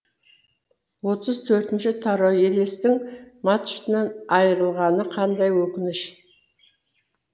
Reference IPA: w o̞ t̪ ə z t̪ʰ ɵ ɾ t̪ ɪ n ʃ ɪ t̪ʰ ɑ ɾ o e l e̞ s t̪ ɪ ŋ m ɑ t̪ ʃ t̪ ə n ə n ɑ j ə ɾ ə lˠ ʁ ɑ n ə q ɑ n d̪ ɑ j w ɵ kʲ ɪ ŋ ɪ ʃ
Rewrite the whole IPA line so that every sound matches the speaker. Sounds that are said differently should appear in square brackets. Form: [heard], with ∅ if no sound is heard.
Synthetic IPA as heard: w o̞ t̪ ə z t̪ʰ ɵ ɾ t̪ ɪ n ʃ ɪ t̪ʰ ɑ ɾ o e l e̞ s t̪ ɪ ŋ m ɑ t̪ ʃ t̪ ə n [ɑ] n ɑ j ə ɾ ə lˠ ʁ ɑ n ə [qʰ] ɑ n d̪ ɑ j w ɵ kʲ ɪ [n] ɪ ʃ

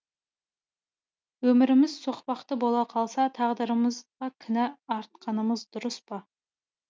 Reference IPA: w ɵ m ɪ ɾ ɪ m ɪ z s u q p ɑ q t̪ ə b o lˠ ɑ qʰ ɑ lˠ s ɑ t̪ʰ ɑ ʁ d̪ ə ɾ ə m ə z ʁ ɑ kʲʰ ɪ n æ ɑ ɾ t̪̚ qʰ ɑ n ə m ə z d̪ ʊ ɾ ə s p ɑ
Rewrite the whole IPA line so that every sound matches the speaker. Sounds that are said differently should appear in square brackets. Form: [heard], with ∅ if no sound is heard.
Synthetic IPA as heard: w ɵ m ɪ ɾ ɪ m ɪ z s [o] q p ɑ q t̪ ə b o lˠ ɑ qʰ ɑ lˠ s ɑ t̪ʰ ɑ ʁ d̪ ə ɾ ə m ə z ʁ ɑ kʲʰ ɪ n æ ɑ ɾ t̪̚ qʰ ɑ n ə m ə z d̪ ʊ ɾ ə s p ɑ

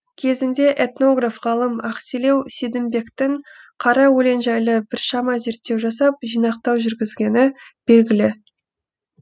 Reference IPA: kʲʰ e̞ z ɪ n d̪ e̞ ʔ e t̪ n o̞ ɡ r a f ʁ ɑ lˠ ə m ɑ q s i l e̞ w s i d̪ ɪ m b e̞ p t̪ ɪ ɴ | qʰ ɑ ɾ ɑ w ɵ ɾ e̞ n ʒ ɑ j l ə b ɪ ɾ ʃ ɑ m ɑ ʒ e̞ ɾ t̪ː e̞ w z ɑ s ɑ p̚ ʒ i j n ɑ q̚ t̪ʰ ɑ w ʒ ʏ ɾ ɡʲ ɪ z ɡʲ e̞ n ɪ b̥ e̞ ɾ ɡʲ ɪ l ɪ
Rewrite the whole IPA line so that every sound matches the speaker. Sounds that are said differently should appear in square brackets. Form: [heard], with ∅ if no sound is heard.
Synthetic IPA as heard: kʲʰ e̞ z ɪ n d̪ e̞ ʔ e t̪ n o̞ ɡ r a f ʁ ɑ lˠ ə m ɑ q s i l e̞ w s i d̪ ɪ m b e̞ [k] t̪ ɪ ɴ | qʰ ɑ ɾ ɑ w ɵ [l] e̞ n ʒ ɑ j l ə b ɪ ɾ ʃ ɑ m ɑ [z] e̞ ɾ t̪ː e̞ w [ʒ] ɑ s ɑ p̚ ʒ i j n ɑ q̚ [t̪] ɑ w ʒ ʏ ɾ ɡʲ ɪ z ɡʲ e̞ n ɪ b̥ e̞ [l] ɡʲ ɪ l ɪ

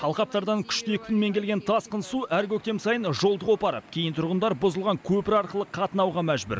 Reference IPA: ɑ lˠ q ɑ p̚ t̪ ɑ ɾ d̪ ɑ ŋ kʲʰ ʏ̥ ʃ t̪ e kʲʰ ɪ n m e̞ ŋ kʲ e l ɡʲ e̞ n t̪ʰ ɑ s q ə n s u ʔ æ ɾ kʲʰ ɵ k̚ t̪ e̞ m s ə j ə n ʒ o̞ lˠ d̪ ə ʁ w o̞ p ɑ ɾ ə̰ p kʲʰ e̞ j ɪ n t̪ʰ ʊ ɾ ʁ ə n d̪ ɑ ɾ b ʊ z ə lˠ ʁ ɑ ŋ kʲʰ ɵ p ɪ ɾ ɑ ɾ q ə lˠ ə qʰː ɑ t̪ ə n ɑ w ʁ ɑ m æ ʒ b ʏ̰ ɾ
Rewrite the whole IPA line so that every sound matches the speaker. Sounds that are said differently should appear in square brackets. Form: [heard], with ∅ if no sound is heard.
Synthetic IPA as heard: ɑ lˠ q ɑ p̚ t̪ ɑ ɾ d̪ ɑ ŋ kʲʰ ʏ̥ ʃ t̪ e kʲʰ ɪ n m e̞ ŋ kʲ e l ɡʲ e̞ n t̪ʰ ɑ s q ə n s u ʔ æ ɾ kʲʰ ɵ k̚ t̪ e̞ m s [ɑ] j ə n ʒ o̞ lˠ d̪ ə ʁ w o̞ p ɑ ɾ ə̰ p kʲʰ e̞ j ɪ n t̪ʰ ʊ ɾ ʁ ə n d̪ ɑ ɾ b ʊ z ə lˠ ʁ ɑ ŋ kʲʰ ɵ p ɪ ɾ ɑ ɾ q ə lˠ ə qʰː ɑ t̪ ə n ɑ w ʁ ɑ m æ ʒ b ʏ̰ ɾ

